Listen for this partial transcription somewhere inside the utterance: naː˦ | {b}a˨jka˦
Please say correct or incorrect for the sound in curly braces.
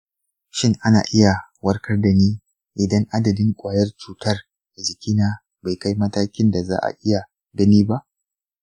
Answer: correct